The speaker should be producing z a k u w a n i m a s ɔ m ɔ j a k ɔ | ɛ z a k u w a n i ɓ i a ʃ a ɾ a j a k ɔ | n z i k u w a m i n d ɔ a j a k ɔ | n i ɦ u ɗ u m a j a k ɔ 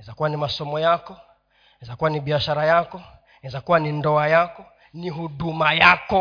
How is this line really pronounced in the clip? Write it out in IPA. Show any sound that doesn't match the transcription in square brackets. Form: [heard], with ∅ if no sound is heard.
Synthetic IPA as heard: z a k u w a n i m a s ɔ m ɔ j a k ɔ | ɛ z a k u w a n i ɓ i a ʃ a ɾ a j a k ɔ | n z [a] k u w a [n] i n d ɔ a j a k ɔ | n i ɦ u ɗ u m a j a k ɔ